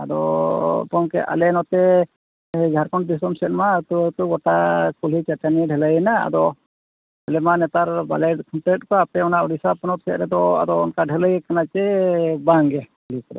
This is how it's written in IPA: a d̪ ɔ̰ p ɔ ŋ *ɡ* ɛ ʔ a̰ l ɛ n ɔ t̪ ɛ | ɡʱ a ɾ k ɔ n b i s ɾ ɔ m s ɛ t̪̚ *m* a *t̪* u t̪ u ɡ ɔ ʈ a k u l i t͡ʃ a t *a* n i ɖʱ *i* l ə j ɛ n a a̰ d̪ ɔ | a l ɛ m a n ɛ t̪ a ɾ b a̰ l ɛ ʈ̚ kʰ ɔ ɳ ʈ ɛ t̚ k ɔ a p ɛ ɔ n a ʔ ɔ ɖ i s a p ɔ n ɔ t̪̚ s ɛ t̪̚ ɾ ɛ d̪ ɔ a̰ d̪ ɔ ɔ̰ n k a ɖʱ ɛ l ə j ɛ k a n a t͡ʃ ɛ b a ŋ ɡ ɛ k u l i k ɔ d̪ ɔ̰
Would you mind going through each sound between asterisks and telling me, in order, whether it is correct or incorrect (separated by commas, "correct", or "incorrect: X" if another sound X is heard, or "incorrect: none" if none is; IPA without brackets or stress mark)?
incorrect: k, correct, correct, correct, incorrect: ɛ